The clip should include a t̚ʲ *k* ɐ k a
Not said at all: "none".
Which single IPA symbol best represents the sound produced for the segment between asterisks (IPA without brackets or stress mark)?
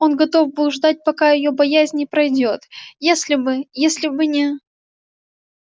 p